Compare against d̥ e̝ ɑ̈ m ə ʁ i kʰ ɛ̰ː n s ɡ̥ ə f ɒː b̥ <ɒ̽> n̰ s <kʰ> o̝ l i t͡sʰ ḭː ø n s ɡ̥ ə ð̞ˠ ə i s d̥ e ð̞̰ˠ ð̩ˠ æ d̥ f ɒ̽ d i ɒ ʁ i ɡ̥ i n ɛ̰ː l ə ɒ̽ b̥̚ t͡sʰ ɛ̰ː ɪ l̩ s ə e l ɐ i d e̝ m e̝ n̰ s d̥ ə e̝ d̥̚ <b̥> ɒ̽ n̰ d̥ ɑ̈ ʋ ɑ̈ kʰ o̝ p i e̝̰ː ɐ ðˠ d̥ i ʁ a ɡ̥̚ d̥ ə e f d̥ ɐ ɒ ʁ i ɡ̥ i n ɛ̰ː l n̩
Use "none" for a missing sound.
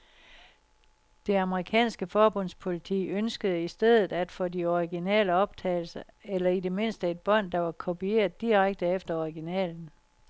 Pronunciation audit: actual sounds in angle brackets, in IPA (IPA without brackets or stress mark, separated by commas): ɔ̽, pʰ, b̥